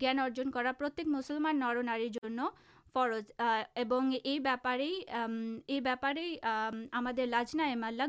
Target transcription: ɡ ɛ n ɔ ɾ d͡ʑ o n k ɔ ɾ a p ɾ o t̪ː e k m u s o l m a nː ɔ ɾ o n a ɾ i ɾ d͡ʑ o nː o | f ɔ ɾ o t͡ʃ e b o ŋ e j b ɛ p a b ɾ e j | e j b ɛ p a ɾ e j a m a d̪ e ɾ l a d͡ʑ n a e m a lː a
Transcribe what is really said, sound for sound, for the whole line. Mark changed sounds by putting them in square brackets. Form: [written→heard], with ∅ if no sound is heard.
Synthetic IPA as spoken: ɡ ɛ n ɔ ɾ d͡ʑ o n k ɔ ɾ a p ɾ o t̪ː e k m u s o l m a nː ɔ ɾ o n a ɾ i ɾ d͡ʑ o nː o | f ɔ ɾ o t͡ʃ e b o ŋ e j b ɛ p a [b→∅] ɾ e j | e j b ɛ p a ɾ e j a m a d̪ e ɾ l a d͡ʑ n a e m a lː a